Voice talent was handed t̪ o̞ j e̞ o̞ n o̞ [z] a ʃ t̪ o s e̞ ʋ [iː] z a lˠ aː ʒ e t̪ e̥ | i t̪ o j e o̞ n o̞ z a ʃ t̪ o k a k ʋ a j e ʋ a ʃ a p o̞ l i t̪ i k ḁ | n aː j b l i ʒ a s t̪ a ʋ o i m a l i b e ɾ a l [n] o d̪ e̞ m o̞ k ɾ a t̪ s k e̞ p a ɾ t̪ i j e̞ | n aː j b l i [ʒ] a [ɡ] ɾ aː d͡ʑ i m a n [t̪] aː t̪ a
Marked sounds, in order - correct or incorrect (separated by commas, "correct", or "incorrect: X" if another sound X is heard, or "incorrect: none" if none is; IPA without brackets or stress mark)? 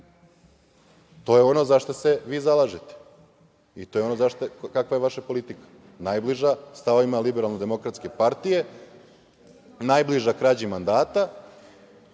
correct, correct, correct, correct, incorrect: k, incorrect: d̪